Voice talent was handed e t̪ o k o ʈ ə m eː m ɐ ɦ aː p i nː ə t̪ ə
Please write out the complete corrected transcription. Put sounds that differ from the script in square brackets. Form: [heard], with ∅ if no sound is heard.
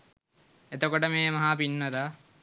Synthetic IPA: e t̪ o k o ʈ ə m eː m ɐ ɦ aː p i nː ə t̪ [a]

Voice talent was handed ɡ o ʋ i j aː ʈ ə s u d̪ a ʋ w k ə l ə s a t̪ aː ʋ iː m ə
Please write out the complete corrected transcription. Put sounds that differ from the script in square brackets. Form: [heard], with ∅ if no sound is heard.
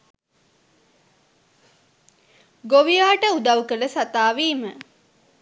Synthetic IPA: ɡ o ʋ i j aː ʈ ə [∅] u d̪ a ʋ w k ə l ə s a t̪ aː ʋ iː m ə

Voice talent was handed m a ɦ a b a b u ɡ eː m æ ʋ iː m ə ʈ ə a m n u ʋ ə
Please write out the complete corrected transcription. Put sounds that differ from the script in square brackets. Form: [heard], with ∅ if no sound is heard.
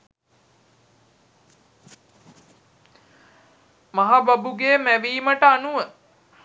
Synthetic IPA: m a ɦ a b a b u ɡ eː m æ ʋ iː m ə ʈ ə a [∅] n u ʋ ə

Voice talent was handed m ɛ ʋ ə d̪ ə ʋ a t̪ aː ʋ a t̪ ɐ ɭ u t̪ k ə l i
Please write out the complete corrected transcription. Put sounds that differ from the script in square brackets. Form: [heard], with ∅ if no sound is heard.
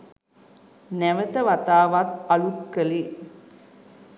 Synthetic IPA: [n] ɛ ʋ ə [t̪] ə ʋ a t̪ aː ʋ a t̪ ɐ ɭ u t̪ k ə l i

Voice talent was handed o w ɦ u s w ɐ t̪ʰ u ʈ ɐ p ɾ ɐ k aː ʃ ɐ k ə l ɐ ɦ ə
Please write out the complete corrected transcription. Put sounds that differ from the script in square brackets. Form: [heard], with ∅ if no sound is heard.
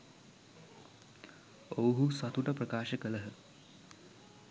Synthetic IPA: o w ɦ u s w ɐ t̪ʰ u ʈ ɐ p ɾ ɐ k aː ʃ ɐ k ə l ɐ ɦ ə

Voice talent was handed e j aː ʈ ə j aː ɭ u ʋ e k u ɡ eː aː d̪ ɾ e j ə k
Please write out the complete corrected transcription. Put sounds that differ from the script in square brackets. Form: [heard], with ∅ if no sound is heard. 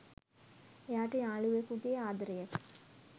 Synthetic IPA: e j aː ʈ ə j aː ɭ u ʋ e k u ɡ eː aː d̪ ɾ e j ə k

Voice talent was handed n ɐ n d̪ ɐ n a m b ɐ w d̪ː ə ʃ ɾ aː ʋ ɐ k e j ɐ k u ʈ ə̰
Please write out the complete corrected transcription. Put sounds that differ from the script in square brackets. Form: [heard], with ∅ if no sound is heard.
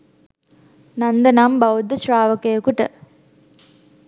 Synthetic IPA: n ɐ n d̪ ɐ n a m b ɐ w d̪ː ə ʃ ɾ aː ʋ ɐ k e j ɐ k u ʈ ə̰

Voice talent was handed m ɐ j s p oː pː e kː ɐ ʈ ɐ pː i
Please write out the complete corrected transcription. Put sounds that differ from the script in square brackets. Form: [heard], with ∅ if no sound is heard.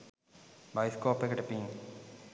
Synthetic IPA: [b] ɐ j s [k] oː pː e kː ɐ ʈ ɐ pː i

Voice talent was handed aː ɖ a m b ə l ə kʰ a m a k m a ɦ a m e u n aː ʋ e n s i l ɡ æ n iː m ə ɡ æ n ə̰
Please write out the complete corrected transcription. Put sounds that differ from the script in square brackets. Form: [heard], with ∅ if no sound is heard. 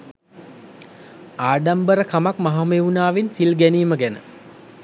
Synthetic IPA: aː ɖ a m b ə [ɾ] ə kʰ a m a k m a ɦ a m e u n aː ʋ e n s i l ɡ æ n iː m ə ɡ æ n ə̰

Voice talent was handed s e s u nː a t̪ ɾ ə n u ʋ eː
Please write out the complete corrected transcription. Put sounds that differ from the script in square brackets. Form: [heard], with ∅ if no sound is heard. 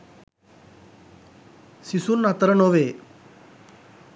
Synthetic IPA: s [i] s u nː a t̪ ɾ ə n [o] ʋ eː

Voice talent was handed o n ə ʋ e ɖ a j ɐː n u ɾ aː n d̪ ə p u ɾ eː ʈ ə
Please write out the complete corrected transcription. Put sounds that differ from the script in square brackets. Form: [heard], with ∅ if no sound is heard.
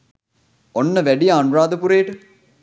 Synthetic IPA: o [nː] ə ʋ [æ] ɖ [i] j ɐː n u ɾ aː [∅] d̪ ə p u ɾ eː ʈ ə

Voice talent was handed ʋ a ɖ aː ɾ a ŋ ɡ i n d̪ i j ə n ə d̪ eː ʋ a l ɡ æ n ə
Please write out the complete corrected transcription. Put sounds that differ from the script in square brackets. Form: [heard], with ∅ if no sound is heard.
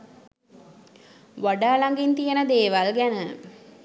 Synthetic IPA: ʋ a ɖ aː [l] a ŋ ɡ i n [t̪] i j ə n ə d̪ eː ʋ a l ɡ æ n ə

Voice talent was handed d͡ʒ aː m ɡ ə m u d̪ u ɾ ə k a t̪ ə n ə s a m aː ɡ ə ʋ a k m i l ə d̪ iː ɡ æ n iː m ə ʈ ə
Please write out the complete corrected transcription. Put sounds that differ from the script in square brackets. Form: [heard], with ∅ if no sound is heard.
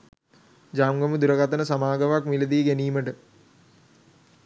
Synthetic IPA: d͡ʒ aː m ɡ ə m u d̪ u ɾ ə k a t̪ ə n ə s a m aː ɡ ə ʋ a k m i l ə d̪ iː ɡ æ n iː m ə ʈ ə

